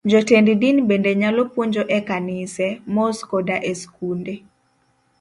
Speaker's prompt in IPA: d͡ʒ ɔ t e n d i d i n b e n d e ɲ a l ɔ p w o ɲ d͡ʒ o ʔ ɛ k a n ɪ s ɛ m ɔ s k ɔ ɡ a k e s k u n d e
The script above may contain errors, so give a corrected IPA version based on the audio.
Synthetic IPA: d͡ʒ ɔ t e n d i d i n b e n d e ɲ a l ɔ p w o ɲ d͡ʒ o ʔ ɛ k a n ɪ s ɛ m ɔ s k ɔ d a ʔ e s k u n d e